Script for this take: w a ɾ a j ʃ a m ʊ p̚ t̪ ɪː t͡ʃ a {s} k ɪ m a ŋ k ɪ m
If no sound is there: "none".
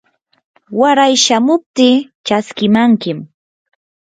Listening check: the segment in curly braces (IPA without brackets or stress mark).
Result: s